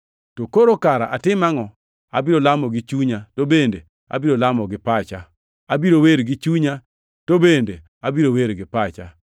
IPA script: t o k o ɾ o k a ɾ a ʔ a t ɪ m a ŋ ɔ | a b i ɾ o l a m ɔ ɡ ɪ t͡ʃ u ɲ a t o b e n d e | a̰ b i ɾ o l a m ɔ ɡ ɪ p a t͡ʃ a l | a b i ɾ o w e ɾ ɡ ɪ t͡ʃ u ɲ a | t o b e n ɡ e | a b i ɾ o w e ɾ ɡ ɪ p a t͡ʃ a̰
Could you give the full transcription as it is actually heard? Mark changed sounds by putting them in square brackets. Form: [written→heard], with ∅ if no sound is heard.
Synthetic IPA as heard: t o k o ɾ o k a ɾ a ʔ a t ɪ m a ŋ ɔ | a b i ɾ o l a m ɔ ɡ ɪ t͡ʃ u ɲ a t o b e n d e | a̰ b i ɾ o l a m ɔ ɡ ɪ p a t͡ʃ a [l→∅] | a b i ɾ o w e ɾ ɡ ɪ t͡ʃ u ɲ a | t o b e n [ɡ→d] e | a b i ɾ o w e ɾ ɡ ɪ p a t͡ʃ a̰

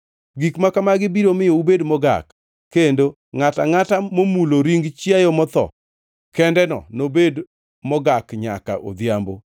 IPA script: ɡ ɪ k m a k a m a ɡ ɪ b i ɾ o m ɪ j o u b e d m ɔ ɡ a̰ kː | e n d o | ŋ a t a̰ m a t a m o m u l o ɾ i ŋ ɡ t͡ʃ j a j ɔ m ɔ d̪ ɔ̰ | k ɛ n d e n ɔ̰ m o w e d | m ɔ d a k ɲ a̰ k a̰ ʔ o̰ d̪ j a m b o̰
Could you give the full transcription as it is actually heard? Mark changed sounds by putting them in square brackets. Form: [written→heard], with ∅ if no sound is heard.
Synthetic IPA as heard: ɡ [ɪ→i] k m a k a m a ɡ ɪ b i ɾ o m ɪ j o u b e d m ɔ ɡ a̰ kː | e n d o | ŋ a t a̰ [m→ŋ] a t a m o m u l o ɾ i ŋ ɡ t͡ʃ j a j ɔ m ɔ [d̪→t̪] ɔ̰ | k ɛ n d [e→ɛ] n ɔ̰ [m→n] o [w→b] e d | m ɔ [d→ɡ] a k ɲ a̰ k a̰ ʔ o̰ d̪ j a m b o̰

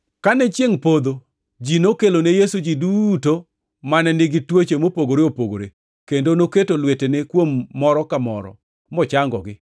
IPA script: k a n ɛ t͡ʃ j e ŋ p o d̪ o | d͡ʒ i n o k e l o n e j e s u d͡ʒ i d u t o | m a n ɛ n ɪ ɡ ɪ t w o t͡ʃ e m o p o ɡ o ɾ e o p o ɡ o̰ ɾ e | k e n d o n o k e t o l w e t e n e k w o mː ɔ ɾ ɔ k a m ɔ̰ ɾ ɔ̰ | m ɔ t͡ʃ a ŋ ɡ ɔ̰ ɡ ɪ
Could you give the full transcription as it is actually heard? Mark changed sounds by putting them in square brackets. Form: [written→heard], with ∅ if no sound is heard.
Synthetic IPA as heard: k a n ɛ t͡ʃ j e ŋ p o d̪ o | d͡ʒ i n o k e l o n e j e s u d͡ʒ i d u t o | m a n ɛ n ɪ ɡ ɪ t w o t͡ʃ e m o p o ɡ o ɾ e o p o ɡ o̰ ɾ e | k e n d o n o k e t o l w e t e n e k w o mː ɔ ɾ ɔ k a m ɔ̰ ɾ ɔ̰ | m ɔ t͡ʃ a ŋ ɡ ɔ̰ ɡ ɪ

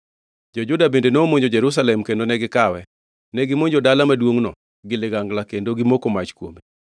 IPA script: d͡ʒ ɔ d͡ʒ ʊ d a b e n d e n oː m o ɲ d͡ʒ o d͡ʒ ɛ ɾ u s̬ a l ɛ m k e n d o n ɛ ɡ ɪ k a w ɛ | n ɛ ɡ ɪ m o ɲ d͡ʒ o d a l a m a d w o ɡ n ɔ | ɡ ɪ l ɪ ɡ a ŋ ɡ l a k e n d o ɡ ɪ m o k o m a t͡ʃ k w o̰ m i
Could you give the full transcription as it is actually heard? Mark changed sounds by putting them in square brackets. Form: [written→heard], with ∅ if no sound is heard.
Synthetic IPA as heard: d͡ʒ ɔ d͡ʒ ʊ d a b e n d e n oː m o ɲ d͡ʒ o d͡ʒ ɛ ɾ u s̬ a l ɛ m k e n d o n ɛ ɡ ɪ k a w ɛ | n ɛ ɡ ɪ m o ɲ d͡ʒ o d a l a m a d w o [ɡ→ŋ] n ɔ | ɡ ɪ l ɪ ɡ a ŋ ɡ l a k e n d o ɡ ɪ m o k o m a t͡ʃ k w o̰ m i

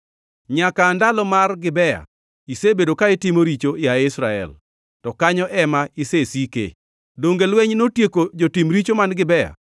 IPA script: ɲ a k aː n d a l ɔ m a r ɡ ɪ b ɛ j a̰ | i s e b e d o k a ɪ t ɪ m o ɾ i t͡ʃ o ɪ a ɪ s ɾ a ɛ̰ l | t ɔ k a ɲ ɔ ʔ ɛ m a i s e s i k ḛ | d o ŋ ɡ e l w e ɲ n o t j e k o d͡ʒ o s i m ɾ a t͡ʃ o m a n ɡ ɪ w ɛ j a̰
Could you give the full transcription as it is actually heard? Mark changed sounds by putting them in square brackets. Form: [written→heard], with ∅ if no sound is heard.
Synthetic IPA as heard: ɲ a k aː n d a l ɔ m a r ɡ ɪ b ɛ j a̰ | i s e b e d o k a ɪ t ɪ m o ɾ i t͡ʃ o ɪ a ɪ s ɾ a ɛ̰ l | t ɔ k a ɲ ɔ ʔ ɛ m a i s e s i k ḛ | d o ŋ ɡ e l w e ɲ n o t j e k o d͡ʒ o [s→t] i m ɾ [a→i] t͡ʃ o m a n ɡ ɪ [w→b] ɛ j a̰

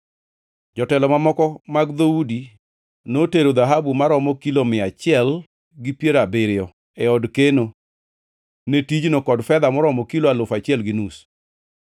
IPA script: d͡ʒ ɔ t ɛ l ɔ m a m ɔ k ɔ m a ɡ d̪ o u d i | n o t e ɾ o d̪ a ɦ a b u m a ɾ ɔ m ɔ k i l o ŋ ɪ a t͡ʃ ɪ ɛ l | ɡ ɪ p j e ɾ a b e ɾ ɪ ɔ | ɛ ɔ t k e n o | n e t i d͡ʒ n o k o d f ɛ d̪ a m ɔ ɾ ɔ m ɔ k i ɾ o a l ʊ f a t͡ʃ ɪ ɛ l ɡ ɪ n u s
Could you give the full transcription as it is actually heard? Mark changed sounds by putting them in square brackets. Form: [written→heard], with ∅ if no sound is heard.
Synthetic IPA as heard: d͡ʒ ɔ t ɛ l ɔ m a m ɔ k ɔ m a ɡ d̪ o u d i | n o t e ɾ o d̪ a ɦ a b u m a ɾ ɔ m ɔ k i l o [ŋ→m] ɪ a t͡ʃ ɪ ɛ l | ɡ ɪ p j e ɾ a b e ɾ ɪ ɔ | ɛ ɔ [t→d] k e n o | n e t i d͡ʒ n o k [o→ɔ] d f ɛ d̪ a m ɔ ɾ ɔ m ɔ k i [ɾ→l] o a l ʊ f a t͡ʃ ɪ ɛ l ɡ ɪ n u s

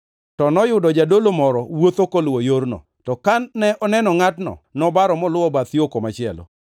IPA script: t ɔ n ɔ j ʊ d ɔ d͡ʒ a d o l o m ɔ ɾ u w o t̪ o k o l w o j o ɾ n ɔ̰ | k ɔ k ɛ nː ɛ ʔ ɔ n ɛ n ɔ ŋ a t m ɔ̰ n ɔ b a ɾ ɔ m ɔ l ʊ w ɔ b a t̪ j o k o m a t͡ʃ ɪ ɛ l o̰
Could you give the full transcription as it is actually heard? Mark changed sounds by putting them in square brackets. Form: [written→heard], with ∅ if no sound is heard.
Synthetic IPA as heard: t ɔ n ɔ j ʊ d ɔ d͡ʒ a d o l o m ɔ ɾ [u→ɔ] w o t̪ o k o l w o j o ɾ n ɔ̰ | [k→t] ɔ k [ɛ→a] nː ɛ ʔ ɔ n ɛ n ɔ ŋ a t [m→n] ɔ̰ n ɔ b a ɾ ɔ m ɔ l ʊ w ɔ b a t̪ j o k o m a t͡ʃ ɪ ɛ l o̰

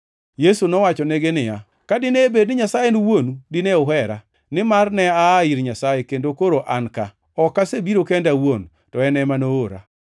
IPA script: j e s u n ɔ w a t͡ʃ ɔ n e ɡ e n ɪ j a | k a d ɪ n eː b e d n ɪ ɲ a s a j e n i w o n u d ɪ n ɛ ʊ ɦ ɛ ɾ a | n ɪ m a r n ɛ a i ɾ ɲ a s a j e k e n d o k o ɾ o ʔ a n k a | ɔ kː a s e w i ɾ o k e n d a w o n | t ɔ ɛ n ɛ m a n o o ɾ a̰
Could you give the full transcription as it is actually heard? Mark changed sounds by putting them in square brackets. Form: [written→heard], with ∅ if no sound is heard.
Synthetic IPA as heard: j e s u n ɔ w a t͡ʃ ɔ n e ɡ e n ɪ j a | k a d ɪ n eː b e d n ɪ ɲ a s a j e n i w o n u d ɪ n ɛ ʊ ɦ ɛ ɾ a | n ɪ m a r n ɛ a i ɾ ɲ a s a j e k e n d o k o ɾ o ʔ a n k a | ɔ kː a s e [w→b] i ɾ o k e n d a w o n | t ɔ ɛ n ɛ m a n o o ɾ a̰

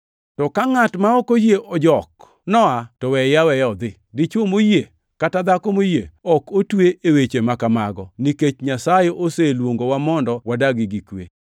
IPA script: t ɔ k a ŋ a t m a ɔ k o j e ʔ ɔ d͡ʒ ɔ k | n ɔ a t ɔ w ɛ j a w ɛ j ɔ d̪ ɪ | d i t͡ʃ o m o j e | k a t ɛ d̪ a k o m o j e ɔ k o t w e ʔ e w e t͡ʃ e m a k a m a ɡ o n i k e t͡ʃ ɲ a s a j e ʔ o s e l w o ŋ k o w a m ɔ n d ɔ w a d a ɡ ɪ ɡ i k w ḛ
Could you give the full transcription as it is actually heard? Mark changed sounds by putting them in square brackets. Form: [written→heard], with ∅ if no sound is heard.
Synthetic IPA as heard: t ɔ k a ŋ a t m a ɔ k o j e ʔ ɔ d͡ʒ ɔ k | n ɔ a t ɔ w ɛ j a w ɛ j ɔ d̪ ɪ | d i t͡ʃ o m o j e | k a t [ɛ→a] d̪ a k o m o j e ɔ k o t w e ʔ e w e t͡ʃ e m a k a m a ɡ [o→ɔ] n i k e t͡ʃ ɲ a s a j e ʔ o s e l w o ŋ [k→ɡ] o w a m ɔ n d ɔ w a d a ɡ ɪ ɡ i k w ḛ

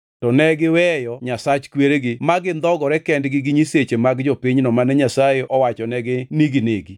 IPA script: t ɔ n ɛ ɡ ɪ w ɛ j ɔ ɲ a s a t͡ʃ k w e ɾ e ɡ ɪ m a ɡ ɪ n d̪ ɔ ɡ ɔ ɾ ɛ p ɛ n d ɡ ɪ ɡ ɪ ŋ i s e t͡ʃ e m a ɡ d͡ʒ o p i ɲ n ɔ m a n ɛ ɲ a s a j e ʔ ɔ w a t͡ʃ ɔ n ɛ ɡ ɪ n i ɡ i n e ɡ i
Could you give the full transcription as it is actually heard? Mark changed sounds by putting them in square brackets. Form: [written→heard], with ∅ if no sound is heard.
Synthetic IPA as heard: t ɔ n ɛ ɡ ɪ w ɛ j ɔ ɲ a s a t͡ʃ k w e ɾ e ɡ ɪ m a ɡ ɪ n d̪ ɔ ɡ ɔ ɾ ɛ [p→k] ɛ n d ɡ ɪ ɡ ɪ [ŋ→ɲ] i s e t͡ʃ e m a ɡ d͡ʒ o p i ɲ n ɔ m a n ɛ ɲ a s a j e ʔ ɔ w a t͡ʃ ɔ n ɛ ɡ ɪ n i ɡ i n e ɡ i

